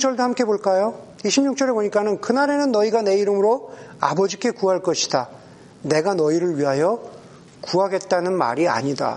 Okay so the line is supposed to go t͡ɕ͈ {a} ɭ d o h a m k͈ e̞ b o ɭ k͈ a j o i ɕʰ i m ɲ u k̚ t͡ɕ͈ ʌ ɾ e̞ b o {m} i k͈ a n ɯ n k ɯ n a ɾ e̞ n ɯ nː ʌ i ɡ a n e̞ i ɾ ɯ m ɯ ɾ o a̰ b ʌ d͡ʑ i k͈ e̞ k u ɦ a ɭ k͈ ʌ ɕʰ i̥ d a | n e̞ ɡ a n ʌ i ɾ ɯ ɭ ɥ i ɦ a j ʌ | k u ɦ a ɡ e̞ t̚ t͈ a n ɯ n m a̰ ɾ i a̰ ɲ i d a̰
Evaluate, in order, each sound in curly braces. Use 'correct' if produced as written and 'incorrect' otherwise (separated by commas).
incorrect, incorrect